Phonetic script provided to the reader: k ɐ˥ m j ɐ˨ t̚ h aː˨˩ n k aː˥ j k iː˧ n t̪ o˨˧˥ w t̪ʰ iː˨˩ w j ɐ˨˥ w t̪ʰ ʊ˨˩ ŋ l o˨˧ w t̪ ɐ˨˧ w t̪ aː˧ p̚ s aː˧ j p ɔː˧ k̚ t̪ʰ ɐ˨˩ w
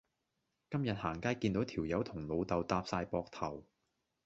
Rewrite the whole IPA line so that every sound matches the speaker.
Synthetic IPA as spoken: k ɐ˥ m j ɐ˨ t̚ h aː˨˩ ŋ k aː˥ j k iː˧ n t̪ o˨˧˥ w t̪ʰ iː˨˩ w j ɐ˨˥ w t̪ʰ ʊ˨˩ ŋ l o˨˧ w t̪ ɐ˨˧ w t̪ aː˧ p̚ s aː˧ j p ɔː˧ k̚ t̪ʰ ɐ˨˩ w

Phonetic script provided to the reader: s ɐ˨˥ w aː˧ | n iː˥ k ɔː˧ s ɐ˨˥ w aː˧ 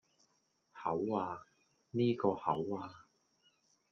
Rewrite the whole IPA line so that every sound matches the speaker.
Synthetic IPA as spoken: h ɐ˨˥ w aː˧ | n iː˥ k ɔː˧ h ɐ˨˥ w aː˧

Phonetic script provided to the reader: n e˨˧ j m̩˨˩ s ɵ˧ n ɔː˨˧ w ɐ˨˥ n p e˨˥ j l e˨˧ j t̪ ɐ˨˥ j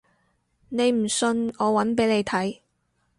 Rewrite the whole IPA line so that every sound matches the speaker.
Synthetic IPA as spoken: n e˨˧ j m̩˨˩ s ɵ˧ n ɔː˨˧ w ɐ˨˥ n p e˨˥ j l e˨˧ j t̪ʰ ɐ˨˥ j

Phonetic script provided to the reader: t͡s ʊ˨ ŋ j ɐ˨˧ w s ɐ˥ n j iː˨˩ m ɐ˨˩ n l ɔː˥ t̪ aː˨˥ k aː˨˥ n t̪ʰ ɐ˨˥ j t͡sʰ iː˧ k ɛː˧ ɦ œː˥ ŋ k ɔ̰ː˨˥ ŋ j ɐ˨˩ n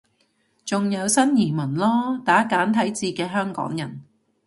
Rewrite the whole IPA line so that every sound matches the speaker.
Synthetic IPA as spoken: t͡s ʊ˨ ŋ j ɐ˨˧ w s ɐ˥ n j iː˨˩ m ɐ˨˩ n l ɔː˥ t̪ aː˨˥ k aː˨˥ n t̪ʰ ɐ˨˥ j t͡s iː˧ k ɛː˧ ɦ œː˥ ŋ k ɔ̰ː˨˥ ŋ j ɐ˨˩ n

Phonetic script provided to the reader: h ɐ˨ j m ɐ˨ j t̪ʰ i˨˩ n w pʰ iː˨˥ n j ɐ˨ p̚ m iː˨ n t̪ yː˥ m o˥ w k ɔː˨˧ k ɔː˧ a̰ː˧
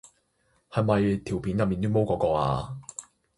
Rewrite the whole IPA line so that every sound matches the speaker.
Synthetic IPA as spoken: h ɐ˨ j m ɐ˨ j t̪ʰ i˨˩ w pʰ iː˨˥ n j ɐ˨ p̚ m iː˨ n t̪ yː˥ m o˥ w k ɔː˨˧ k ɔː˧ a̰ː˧

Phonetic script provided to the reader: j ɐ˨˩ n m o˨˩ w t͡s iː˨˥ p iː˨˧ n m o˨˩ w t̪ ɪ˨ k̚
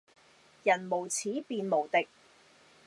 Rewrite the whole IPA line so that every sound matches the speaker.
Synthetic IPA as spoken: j ɐ˨˩ n m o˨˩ w t͡sʰ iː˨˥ p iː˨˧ n m o˨˩ w t̪ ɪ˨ k̚

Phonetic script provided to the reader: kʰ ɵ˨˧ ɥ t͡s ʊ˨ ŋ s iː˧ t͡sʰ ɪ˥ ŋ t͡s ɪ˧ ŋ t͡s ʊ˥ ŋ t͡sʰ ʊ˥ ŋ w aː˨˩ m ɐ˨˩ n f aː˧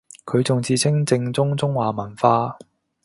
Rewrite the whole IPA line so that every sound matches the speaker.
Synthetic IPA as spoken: kʰ ɵ˨˧ ɥ t͡s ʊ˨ ŋ t͡s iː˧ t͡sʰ ɪ˥ ŋ t͡s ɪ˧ ŋ t͡s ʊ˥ ŋ t͡s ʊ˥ ŋ w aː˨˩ m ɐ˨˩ n f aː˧

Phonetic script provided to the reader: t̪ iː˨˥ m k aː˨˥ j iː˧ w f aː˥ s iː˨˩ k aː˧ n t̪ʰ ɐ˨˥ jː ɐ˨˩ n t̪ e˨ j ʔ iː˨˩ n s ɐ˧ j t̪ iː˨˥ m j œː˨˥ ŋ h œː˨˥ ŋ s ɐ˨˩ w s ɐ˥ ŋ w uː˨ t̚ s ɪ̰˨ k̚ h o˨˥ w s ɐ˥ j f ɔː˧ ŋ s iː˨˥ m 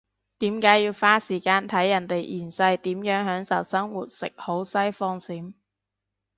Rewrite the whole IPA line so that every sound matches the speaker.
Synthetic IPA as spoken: t̪ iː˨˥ m k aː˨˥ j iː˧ w f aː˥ s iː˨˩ k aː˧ n t̪ʰ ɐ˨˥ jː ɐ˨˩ n t̪ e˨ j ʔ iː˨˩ n s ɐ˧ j t̪ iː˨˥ m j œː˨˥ ŋ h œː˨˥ ŋ s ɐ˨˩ w s ɐ˥ ŋ w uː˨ t̚ s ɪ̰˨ k̚ h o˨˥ w s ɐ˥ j f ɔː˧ ŋ s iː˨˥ m

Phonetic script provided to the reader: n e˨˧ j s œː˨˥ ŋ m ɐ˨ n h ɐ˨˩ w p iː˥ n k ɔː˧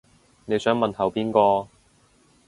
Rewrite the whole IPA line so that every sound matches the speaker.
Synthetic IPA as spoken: n e˨˧ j s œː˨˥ ŋ m ɐ˨ n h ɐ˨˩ w p iː˥ n k ɔː˧

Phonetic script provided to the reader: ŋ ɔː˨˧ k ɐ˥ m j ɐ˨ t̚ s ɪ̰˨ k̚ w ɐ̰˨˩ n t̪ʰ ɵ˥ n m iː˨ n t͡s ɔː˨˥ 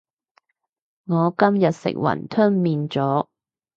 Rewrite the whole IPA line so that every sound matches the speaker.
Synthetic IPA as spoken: ŋ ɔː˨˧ k ɐ˥ m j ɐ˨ t̚ s ɪ̰˨ k̚ w ɐ̰˨˩ n t̪ʰ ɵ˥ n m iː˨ n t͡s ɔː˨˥

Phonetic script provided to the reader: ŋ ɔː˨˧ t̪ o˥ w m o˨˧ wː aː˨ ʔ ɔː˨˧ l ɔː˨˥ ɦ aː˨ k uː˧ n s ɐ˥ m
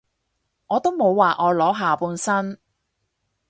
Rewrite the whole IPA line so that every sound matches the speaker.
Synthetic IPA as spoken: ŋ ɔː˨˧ t̪ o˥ w m o˨˧ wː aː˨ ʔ ɔː˨˧ l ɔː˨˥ ɦ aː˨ p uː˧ n s ɐ˥ n

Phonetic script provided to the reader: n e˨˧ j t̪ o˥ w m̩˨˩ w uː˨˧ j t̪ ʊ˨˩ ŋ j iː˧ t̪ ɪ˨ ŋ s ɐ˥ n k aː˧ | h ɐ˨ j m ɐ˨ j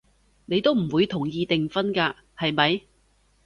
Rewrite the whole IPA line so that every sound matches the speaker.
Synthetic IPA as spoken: n e˨˧ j t̪ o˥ w m̩˨˩ w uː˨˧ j t̪ʰ ʊ˨˩ ŋ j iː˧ t̪ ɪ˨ ŋ f ɐ˥ n k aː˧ | h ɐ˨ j m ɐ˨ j

